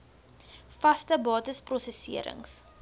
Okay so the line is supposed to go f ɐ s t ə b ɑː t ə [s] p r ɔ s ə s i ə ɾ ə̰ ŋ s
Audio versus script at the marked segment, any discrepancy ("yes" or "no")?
no